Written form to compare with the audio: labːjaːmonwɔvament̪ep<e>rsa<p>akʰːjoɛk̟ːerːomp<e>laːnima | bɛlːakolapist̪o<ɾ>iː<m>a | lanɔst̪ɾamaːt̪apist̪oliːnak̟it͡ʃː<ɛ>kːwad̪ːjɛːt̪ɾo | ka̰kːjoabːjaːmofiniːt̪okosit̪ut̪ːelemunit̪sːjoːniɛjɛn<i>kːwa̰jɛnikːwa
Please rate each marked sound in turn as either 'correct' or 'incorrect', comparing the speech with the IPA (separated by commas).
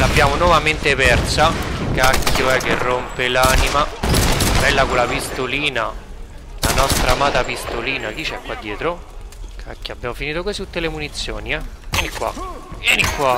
incorrect, incorrect, correct, incorrect, incorrect, correct, correct